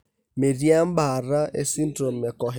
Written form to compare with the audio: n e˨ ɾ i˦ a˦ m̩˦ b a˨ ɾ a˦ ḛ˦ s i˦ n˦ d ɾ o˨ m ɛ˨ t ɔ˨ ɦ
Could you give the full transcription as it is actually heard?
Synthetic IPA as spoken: m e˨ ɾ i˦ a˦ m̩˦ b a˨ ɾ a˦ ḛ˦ s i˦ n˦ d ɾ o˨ m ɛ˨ k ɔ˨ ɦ